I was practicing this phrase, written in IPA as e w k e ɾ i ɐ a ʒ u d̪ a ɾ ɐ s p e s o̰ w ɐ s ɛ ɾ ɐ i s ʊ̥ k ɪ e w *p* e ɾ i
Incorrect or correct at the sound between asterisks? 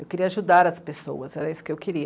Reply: incorrect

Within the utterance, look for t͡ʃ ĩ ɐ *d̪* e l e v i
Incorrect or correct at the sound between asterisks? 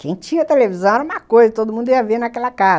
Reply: incorrect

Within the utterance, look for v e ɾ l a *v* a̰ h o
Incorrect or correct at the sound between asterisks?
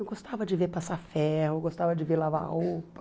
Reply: correct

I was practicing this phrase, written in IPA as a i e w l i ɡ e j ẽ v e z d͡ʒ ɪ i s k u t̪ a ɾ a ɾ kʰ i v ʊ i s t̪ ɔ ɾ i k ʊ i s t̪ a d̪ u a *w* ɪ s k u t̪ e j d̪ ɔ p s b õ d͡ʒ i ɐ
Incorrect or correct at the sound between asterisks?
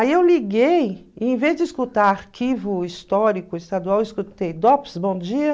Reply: correct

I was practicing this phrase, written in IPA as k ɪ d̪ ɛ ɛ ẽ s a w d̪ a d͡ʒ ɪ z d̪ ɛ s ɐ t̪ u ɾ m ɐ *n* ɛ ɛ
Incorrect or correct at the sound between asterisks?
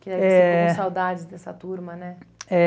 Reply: correct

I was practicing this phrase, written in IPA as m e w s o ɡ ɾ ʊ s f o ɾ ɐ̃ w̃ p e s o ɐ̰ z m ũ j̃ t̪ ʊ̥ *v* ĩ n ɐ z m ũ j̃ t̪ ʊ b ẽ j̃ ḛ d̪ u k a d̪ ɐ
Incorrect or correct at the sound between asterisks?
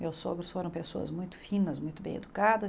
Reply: incorrect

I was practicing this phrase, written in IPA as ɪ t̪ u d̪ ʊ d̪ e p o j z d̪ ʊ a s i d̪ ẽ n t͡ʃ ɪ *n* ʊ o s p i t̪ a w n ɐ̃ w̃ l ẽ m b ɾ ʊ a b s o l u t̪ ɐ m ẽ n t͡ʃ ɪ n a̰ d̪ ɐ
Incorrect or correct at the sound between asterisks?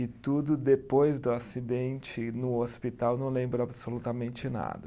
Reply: correct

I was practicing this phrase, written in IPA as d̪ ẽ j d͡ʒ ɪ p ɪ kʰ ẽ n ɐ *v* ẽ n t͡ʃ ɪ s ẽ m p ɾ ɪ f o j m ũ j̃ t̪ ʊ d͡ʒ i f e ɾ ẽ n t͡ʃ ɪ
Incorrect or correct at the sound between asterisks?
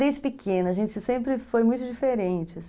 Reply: incorrect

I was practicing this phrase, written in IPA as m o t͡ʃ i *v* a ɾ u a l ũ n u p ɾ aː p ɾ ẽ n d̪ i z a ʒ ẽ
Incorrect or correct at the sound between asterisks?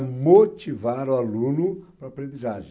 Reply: correct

